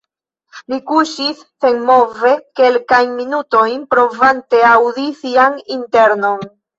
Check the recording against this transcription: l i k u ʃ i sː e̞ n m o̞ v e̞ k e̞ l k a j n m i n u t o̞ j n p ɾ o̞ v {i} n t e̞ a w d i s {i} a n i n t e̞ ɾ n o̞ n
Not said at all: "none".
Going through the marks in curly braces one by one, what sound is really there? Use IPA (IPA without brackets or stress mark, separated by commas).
a, i